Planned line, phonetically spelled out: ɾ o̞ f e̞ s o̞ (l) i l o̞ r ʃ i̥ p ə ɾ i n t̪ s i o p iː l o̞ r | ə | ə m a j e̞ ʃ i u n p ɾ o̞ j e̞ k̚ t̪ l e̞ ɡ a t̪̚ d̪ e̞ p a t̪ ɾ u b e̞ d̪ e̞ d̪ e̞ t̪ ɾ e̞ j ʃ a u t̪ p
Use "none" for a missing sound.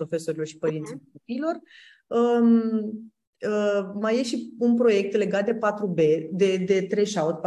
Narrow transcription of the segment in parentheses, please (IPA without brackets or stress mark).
ɾ